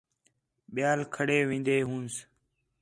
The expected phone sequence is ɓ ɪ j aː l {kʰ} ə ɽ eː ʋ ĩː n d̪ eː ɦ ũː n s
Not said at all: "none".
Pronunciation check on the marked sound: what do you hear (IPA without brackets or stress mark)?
kʰ